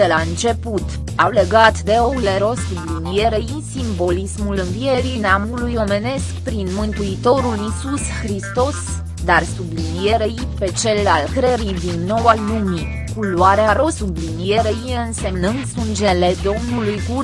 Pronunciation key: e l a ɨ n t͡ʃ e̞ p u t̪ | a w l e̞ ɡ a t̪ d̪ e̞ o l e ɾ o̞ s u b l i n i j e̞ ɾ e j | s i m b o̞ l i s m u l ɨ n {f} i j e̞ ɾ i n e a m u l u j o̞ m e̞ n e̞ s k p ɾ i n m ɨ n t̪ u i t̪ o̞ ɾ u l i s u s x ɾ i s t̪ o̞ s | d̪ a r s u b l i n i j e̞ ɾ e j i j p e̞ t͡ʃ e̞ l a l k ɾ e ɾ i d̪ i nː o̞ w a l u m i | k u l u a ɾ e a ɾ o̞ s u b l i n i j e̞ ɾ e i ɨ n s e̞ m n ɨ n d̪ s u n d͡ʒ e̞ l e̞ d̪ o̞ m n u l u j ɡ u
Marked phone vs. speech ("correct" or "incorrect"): incorrect